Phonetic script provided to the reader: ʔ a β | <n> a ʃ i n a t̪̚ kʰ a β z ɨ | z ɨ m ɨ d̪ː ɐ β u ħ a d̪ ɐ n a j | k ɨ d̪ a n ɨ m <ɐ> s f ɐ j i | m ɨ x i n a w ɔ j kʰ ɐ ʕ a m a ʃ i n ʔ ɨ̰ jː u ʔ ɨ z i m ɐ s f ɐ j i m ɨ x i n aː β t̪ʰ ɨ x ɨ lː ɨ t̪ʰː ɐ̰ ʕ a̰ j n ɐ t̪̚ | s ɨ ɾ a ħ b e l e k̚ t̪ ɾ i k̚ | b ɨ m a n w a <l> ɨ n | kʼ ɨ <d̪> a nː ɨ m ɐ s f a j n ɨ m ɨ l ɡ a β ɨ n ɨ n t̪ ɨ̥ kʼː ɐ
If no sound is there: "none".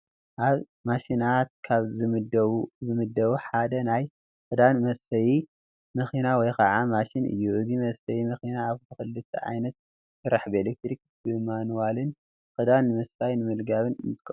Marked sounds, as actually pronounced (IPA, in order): m, ɐ, l, d̪

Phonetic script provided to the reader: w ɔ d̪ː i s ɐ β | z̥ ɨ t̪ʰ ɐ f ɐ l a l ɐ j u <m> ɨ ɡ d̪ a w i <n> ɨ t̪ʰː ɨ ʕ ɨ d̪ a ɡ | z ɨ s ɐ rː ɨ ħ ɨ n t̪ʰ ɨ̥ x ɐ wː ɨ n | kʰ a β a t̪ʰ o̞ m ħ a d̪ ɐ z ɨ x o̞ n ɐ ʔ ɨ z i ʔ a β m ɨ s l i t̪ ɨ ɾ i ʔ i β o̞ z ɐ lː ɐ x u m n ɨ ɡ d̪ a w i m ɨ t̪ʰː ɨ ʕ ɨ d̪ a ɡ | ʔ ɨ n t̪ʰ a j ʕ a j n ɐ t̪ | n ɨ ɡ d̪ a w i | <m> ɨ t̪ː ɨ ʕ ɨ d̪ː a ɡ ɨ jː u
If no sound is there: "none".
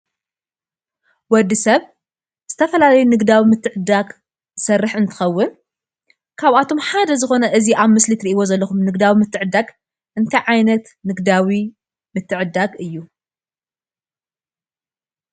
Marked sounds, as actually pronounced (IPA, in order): n, m, m

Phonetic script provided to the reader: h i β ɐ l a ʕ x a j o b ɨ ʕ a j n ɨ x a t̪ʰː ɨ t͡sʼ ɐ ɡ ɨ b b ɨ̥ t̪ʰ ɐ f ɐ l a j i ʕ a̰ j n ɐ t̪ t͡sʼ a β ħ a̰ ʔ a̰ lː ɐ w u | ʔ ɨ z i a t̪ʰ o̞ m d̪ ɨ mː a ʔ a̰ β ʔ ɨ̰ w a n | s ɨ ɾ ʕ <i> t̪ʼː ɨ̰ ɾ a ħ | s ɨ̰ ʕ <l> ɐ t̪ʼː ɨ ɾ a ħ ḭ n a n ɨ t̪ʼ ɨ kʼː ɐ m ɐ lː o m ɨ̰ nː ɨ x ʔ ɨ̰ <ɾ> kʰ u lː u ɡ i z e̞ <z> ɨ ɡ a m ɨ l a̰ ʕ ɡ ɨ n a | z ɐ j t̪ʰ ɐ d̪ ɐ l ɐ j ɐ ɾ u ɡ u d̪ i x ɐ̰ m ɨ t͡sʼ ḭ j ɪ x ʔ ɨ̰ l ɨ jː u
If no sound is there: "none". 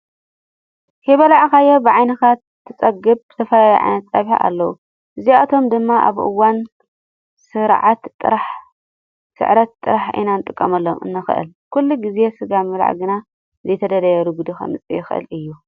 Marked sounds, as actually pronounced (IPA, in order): a, ɾ, l, s

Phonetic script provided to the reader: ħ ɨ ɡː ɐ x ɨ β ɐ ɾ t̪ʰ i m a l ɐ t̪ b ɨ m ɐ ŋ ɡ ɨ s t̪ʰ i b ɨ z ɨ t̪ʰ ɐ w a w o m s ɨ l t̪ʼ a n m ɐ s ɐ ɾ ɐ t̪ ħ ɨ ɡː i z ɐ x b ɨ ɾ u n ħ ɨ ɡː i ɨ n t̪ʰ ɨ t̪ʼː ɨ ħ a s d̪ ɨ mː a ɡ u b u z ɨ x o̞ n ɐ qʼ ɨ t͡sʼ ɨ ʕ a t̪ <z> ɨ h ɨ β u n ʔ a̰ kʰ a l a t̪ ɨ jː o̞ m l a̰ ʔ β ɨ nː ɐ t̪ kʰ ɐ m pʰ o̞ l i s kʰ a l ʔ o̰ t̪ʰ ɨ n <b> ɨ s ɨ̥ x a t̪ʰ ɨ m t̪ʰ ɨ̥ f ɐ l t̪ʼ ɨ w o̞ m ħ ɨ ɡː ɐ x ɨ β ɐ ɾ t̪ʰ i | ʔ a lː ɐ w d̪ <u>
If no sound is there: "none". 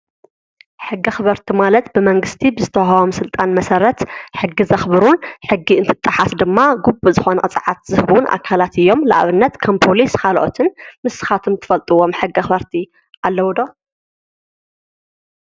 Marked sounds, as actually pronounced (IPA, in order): z, m, o

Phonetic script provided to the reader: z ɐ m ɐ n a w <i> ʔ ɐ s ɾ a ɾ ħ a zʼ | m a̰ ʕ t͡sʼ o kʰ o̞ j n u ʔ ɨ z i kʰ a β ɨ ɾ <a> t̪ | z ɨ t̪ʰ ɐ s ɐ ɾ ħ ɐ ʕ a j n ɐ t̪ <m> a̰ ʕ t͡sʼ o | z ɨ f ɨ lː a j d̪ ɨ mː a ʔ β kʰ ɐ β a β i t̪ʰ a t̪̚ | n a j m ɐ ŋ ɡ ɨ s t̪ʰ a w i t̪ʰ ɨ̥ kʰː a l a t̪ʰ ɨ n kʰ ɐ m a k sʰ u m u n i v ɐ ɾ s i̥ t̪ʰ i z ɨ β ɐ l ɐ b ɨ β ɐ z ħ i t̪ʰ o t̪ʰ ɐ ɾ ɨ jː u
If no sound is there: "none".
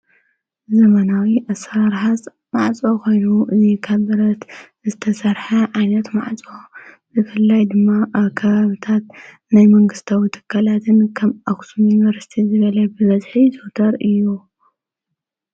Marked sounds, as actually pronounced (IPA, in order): i, ɐ, m

